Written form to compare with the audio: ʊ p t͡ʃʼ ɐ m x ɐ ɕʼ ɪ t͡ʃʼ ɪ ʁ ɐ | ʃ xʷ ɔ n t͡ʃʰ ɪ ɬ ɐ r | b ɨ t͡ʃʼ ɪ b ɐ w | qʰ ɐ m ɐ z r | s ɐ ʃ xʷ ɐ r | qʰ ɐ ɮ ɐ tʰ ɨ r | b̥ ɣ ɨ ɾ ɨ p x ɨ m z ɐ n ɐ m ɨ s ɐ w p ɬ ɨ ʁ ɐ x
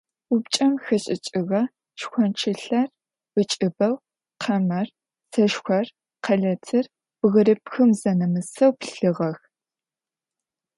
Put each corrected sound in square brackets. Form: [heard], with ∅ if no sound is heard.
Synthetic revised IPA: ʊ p t͡ʃʼ ɐ m x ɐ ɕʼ ɪ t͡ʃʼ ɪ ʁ ɐ | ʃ xʷ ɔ n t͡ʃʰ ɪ ɬ ɐ r | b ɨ t͡ʃʼ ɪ b ɐ w | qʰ ɐ m ɐ [∅] r | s ɐ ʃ xʷ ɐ r | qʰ ɐ ɮ ɐ tʰ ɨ r | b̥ ɣ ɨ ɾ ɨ p x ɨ m z ɐ n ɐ m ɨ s ɐ w p ɬ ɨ ʁ ɐ x